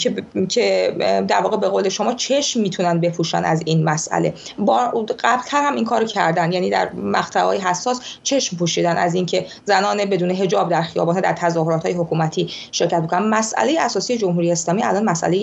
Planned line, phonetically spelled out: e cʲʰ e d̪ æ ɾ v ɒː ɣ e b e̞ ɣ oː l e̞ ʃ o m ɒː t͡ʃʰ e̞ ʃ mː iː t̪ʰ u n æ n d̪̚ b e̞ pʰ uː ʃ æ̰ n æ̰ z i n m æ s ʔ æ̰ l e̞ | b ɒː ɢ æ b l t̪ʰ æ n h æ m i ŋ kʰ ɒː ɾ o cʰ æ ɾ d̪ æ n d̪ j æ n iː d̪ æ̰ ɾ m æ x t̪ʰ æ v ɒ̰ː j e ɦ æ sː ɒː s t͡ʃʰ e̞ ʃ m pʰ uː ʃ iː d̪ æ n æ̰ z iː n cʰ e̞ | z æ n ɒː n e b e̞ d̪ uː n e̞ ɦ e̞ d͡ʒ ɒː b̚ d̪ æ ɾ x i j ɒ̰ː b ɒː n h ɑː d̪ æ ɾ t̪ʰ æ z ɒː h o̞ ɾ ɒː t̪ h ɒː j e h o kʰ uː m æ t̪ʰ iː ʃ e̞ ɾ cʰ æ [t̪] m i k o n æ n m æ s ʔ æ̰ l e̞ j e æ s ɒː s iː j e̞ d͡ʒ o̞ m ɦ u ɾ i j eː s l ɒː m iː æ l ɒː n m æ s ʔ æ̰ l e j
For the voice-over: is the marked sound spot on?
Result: yes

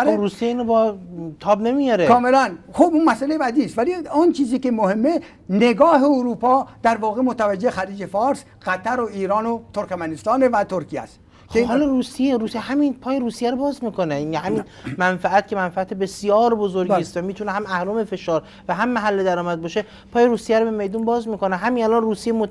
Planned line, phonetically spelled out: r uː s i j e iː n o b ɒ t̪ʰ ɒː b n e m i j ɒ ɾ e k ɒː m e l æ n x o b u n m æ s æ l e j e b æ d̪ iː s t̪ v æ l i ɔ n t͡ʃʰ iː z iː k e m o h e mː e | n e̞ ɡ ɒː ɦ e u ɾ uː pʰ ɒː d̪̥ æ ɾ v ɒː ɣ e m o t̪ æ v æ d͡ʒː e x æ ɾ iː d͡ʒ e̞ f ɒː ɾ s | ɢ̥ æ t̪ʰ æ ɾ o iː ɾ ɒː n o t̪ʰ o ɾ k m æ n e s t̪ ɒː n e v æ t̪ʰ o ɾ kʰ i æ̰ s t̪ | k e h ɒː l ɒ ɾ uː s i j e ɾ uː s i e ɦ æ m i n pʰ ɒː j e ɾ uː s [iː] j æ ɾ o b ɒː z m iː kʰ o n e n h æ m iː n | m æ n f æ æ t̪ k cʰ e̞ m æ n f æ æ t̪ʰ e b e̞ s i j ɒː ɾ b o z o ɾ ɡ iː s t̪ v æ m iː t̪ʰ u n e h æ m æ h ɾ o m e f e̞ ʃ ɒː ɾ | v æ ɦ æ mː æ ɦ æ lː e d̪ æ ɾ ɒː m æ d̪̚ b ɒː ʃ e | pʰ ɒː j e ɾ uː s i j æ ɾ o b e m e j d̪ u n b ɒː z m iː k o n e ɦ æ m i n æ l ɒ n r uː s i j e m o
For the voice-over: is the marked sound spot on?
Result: no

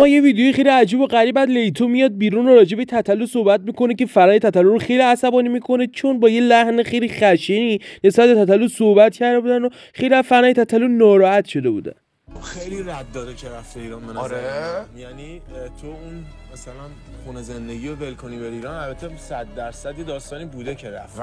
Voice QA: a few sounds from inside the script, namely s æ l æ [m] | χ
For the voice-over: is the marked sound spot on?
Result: no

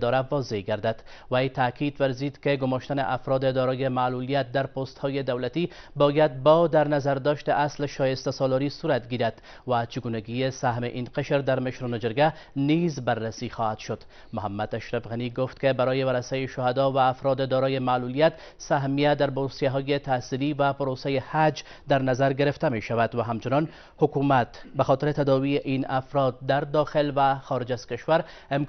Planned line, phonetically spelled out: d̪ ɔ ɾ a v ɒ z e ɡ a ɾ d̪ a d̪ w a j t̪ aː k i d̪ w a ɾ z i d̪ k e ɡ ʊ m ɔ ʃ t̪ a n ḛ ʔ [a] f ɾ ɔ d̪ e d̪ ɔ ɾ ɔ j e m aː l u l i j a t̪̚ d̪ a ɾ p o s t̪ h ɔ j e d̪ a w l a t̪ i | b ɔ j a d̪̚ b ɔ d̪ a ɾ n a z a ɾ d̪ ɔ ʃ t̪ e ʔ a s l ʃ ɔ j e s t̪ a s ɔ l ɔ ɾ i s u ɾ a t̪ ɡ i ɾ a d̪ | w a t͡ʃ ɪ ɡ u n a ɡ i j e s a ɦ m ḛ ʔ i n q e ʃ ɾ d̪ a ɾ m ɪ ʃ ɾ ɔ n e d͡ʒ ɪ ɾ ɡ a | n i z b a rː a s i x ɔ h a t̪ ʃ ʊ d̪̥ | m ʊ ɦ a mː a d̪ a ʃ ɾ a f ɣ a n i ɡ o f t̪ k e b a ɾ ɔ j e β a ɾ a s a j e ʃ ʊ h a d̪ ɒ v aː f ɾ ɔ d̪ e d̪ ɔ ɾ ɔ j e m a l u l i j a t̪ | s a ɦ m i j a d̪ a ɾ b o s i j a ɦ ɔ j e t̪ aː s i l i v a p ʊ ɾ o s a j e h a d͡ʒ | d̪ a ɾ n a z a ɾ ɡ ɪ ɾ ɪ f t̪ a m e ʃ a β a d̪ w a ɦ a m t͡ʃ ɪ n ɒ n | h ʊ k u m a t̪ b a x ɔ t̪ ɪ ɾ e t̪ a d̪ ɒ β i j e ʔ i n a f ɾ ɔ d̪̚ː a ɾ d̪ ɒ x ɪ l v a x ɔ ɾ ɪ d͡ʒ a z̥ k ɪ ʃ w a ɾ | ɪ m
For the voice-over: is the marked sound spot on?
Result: yes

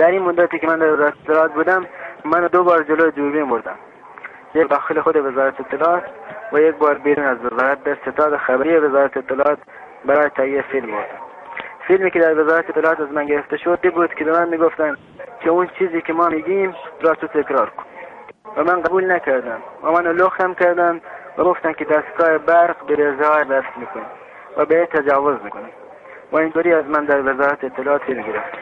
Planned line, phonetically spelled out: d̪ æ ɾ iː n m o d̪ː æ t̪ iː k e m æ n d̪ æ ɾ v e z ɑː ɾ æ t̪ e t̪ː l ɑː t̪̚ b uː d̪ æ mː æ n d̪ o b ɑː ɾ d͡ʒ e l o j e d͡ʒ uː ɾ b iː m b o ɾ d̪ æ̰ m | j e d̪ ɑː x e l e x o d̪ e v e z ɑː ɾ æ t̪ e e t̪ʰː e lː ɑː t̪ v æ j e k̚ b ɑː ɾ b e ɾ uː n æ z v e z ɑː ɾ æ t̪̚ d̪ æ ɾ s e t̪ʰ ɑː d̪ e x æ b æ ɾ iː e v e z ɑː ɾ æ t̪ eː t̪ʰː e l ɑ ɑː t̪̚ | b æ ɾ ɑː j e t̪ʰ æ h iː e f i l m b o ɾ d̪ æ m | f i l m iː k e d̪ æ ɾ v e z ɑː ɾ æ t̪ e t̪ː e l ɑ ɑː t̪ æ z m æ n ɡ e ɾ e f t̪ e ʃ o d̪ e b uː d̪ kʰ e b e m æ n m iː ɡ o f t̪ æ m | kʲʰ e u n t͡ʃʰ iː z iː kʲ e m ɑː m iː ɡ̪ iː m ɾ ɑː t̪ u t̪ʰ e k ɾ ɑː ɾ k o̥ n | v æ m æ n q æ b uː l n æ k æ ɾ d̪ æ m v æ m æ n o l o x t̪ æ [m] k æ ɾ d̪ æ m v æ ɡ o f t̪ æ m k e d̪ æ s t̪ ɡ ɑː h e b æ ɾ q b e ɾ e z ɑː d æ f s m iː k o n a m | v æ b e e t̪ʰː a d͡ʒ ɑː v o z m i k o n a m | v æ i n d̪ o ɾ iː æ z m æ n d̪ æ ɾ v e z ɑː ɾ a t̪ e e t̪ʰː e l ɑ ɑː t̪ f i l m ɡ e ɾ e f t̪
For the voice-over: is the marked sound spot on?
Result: yes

